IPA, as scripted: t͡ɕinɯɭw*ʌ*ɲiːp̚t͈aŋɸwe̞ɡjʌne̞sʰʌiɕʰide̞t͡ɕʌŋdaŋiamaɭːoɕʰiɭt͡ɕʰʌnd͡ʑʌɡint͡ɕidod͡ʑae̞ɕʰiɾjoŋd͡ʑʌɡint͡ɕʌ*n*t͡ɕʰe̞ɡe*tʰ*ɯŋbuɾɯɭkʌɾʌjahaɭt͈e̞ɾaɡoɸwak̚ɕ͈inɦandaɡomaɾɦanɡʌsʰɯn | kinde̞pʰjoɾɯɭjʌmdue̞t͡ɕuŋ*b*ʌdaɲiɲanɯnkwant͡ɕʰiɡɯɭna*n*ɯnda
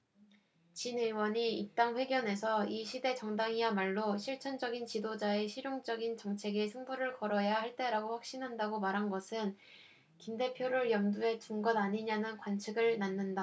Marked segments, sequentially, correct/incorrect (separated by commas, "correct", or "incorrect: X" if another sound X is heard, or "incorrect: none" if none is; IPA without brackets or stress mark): correct, incorrect: ŋ, incorrect: sʰ, incorrect: ɡ, incorrect: nː